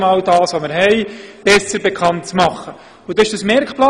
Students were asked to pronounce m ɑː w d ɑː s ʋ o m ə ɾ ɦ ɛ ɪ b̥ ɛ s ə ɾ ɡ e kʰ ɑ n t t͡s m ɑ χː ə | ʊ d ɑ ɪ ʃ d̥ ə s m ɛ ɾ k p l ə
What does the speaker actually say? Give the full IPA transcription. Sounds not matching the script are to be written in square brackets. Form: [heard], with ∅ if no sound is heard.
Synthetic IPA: m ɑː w d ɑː s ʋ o m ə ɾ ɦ ɛ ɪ b̥ ɛ s ə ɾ [b] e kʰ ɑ n t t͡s m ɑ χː ə | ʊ d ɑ ɪ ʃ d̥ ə s m ɛ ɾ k p l [ɑ]